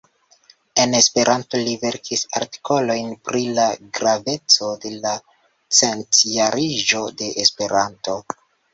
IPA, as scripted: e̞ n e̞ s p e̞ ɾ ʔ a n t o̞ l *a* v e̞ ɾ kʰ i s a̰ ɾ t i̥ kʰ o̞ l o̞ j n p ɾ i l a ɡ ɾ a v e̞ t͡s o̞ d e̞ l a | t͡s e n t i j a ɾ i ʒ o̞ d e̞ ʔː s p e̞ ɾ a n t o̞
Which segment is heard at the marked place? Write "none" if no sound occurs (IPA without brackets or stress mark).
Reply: i